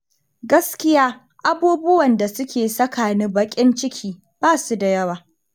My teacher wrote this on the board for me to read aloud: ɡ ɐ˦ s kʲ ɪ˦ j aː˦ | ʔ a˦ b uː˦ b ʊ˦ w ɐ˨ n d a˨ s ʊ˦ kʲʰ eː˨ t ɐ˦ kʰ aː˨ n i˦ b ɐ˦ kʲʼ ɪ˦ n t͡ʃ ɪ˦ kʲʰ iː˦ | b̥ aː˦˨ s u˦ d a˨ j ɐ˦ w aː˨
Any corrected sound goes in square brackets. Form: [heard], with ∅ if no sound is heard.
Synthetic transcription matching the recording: ɡ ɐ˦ s kʲ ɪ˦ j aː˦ | ʔ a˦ b uː˦ b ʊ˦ w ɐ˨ n d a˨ s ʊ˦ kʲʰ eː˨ [s] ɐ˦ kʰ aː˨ n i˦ b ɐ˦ kʲʼ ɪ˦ n t͡ʃ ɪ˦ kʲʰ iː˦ | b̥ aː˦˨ s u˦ d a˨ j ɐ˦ w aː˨

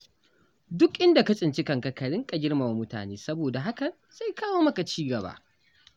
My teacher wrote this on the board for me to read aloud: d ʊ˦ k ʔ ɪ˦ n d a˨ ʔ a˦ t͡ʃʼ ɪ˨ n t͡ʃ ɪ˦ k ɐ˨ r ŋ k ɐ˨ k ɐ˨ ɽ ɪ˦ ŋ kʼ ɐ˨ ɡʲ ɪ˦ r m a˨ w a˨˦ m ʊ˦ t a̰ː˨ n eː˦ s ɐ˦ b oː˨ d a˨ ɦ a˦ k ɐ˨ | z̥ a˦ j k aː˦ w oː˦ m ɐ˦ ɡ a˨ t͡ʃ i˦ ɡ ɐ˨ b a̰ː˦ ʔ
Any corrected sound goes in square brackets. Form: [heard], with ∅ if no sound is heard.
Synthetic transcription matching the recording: d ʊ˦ k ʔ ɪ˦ n d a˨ [k] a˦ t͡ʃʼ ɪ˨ n t͡ʃ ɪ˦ k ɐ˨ [∅] ŋ k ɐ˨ k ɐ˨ ɽ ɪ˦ ŋ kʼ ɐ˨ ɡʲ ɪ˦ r m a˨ w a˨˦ m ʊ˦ t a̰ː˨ n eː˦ s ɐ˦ b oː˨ d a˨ ɦ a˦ k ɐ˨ | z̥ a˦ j k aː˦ w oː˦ m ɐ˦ [k] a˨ t͡ʃ [iː˦] ɡ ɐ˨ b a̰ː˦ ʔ

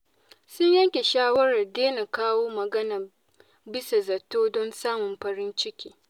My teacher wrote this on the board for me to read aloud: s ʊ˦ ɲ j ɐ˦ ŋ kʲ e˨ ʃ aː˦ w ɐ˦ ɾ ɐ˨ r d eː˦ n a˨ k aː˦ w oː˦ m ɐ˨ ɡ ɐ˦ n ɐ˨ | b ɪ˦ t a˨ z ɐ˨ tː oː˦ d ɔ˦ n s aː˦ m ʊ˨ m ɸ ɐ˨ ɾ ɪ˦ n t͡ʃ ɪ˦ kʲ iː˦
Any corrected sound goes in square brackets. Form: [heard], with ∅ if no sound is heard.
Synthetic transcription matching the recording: s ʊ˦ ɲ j ɐ˦ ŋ kʲ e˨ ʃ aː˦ w ɐ˦ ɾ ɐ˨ r d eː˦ n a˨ k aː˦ w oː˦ m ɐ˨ ɡ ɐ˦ n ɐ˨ | b ɪ˦ [s] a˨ z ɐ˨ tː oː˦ d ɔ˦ n s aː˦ m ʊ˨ m ɸ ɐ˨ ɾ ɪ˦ n t͡ʃ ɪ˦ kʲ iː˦

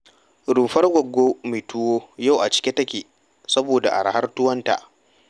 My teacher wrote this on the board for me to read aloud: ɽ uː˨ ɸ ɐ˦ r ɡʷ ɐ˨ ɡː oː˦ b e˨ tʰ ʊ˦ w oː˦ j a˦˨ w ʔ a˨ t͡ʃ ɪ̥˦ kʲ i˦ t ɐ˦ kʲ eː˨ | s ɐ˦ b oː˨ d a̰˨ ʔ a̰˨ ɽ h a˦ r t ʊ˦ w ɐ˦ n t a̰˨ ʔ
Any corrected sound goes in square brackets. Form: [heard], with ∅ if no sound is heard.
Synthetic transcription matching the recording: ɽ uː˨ ɸ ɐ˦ r ɡʷ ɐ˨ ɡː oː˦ [m] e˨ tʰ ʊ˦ w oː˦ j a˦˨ w ʔ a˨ t͡ʃ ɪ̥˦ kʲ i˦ t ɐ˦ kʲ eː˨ | s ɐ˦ b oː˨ d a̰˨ ʔ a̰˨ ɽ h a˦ r t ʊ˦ w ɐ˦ n t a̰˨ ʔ

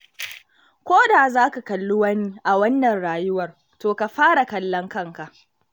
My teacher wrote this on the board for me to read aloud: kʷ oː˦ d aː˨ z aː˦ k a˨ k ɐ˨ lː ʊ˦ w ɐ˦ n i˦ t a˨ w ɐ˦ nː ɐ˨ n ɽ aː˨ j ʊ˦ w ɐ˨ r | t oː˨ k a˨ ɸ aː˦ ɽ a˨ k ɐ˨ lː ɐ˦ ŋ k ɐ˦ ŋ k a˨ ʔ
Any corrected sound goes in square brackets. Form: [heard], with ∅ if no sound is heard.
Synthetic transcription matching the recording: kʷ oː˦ d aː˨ z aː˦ k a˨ k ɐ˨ lː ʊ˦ w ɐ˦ n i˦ [ʔ] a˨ w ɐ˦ nː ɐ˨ n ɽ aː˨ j ʊ˦ w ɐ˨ r | t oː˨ k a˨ ɸ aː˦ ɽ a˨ k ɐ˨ lː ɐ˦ ŋ k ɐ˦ ŋ k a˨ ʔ

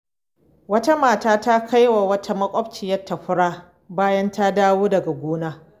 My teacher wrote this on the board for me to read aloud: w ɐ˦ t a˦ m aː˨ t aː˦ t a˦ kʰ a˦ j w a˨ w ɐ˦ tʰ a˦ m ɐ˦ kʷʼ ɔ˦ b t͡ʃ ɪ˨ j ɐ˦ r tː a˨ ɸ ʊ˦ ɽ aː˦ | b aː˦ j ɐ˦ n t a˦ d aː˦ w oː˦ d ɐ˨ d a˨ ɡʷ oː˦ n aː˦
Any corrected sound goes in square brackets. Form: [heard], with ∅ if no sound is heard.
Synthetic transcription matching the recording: w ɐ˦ t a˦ m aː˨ t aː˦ t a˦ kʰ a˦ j w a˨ w ɐ˦ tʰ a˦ m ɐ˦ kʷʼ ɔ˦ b t͡ʃ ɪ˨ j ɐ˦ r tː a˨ ɸ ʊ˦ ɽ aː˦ | b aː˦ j ɐ˦ n t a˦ d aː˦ w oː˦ d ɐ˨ [ɡ] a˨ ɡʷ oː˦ n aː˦

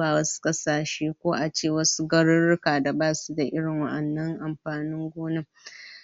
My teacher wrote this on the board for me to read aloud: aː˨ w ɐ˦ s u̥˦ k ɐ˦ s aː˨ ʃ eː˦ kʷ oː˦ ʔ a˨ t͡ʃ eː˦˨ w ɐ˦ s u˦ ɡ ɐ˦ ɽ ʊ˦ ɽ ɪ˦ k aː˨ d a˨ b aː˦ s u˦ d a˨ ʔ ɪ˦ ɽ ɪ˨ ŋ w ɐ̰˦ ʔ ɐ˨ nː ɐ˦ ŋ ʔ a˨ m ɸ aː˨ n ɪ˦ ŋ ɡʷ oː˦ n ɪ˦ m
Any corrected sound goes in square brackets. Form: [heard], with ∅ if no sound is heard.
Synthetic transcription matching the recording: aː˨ w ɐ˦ s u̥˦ [kʼ] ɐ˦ s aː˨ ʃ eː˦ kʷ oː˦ ʔ a˨ t͡ʃ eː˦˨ w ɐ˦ s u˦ ɡ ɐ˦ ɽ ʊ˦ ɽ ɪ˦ k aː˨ d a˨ b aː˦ s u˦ d a˨ ʔ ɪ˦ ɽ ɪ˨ ŋ w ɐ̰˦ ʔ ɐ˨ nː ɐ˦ ŋ ʔ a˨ m ɸ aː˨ n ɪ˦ ŋ ɡʷ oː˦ n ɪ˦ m

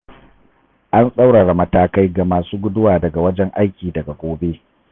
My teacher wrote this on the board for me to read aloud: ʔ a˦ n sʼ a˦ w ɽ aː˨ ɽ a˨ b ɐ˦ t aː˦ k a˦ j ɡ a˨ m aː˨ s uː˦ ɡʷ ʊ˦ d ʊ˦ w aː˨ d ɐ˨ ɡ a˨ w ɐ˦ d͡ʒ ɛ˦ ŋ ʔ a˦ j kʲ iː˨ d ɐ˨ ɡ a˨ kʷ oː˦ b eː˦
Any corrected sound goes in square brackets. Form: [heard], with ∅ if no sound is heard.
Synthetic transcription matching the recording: ʔ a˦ n sʼ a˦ w ɽ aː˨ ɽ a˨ [m] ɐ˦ t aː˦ k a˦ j ɡ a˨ m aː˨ s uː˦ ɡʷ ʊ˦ d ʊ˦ w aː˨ d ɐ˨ ɡ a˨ w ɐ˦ d͡ʒ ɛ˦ ŋ ʔ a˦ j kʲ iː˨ d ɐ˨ ɡ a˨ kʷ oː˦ b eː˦

